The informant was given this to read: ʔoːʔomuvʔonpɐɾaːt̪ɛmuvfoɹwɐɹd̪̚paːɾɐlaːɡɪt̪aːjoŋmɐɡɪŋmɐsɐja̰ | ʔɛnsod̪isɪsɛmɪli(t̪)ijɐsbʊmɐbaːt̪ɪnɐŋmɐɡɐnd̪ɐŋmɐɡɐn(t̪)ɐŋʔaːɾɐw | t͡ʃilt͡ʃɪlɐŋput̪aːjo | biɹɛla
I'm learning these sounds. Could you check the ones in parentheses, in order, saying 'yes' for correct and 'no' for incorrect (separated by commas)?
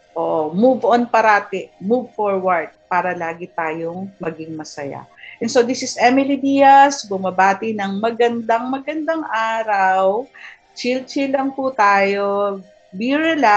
no, no